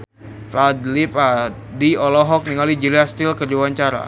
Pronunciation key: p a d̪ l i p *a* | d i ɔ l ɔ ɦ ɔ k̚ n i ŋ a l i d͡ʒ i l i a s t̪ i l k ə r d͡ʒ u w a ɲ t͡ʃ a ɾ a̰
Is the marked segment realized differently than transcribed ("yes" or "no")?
no